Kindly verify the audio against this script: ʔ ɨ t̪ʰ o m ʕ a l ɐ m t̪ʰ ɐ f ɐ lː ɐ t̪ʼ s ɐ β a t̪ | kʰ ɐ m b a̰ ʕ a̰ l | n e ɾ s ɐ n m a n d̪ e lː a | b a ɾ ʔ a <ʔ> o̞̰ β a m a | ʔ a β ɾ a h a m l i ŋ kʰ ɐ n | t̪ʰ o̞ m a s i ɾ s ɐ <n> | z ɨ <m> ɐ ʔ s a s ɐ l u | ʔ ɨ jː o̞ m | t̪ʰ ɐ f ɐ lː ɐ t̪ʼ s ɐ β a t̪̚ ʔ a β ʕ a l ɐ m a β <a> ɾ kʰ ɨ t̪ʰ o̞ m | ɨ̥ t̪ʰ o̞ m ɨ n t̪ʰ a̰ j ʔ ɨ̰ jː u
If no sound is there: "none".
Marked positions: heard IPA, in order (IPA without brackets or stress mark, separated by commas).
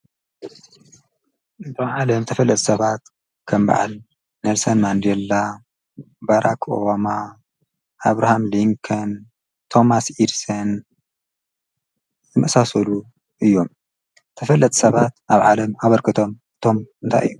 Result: k, n, m, ɐ